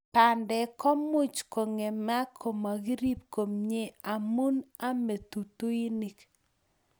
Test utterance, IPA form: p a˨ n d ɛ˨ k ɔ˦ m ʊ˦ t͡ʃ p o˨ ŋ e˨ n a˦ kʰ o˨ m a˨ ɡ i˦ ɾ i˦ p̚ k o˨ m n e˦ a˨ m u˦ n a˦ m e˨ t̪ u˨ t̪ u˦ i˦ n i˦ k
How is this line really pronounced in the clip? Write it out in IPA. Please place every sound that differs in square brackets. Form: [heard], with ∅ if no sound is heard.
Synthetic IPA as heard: p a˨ n d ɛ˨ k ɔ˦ m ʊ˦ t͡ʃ [k] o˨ ŋ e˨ [m] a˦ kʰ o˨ m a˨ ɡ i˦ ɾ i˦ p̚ k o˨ m [ɲ] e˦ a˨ m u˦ n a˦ m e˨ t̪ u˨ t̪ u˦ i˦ n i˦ k